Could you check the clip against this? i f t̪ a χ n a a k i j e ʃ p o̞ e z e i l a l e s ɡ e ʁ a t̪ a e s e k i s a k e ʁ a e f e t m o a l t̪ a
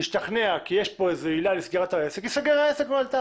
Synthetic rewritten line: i ʃ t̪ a χ n e a k i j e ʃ p o̞ e z e i l a l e s ɡ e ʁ a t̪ a e s e k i s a ɡ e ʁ a e s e k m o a l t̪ a